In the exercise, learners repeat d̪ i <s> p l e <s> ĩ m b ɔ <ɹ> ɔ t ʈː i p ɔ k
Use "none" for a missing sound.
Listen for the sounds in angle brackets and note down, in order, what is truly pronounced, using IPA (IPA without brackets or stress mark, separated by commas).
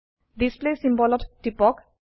s, s, l